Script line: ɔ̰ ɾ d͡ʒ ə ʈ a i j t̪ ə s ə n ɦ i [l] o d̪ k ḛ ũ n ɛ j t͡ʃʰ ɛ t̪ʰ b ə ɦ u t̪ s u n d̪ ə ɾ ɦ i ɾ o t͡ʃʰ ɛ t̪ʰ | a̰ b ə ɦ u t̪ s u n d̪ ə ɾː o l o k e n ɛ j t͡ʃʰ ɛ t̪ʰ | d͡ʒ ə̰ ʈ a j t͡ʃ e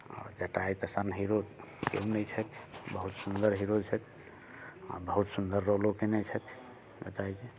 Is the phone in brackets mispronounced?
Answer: yes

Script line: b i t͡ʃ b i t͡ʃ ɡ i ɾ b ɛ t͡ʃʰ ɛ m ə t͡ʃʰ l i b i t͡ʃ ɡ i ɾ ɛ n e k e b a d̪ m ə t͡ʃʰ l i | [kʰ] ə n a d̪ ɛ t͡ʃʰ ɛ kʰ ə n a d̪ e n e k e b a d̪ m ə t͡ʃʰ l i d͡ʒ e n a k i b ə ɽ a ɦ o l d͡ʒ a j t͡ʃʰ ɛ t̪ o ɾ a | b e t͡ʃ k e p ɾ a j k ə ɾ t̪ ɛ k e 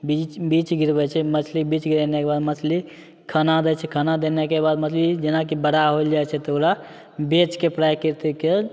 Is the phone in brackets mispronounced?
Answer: no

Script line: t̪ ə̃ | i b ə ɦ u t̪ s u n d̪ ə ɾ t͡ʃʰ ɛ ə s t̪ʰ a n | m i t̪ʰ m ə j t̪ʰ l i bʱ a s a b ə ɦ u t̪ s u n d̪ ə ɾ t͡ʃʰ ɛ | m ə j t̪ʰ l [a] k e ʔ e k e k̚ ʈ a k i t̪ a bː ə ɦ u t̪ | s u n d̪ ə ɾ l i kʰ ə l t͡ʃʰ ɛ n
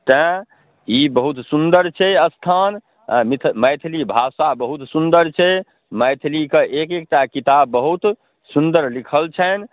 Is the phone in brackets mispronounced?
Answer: yes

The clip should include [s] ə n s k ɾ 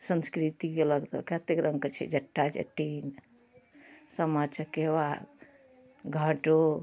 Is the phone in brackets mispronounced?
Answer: no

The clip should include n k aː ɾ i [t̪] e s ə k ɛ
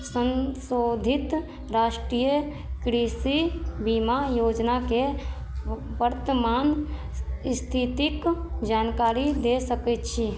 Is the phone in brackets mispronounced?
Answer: yes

